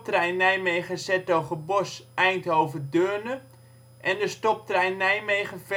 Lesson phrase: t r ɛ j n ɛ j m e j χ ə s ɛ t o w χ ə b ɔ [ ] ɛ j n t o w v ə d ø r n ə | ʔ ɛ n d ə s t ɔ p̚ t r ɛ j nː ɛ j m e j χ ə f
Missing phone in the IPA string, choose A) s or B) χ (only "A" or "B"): A